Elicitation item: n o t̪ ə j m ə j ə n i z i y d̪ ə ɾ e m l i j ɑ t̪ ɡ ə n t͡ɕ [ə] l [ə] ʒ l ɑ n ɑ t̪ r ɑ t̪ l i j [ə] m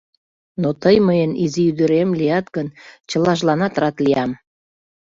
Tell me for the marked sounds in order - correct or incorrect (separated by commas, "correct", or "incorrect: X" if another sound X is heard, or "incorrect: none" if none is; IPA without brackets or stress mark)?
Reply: correct, incorrect: ɑ, incorrect: ɑ